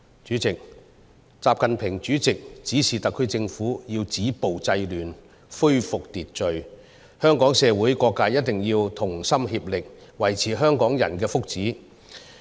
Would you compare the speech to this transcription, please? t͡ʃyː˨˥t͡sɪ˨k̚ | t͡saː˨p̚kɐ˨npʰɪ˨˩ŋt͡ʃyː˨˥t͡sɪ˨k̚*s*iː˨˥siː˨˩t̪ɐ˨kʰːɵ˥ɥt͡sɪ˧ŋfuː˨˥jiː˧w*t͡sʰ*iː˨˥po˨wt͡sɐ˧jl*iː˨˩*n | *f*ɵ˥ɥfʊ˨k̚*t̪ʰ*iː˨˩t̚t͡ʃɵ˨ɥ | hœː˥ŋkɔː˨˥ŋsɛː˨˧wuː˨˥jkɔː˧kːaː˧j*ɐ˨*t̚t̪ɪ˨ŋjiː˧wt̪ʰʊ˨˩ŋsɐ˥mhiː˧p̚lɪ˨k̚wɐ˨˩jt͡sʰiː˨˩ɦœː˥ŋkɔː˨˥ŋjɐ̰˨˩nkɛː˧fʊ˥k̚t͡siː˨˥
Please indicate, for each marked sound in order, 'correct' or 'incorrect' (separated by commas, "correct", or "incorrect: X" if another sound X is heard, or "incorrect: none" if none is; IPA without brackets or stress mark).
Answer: incorrect: t͡s, incorrect: t͡s, incorrect: yː˨˩, correct, incorrect: t̪, incorrect: ɐ˥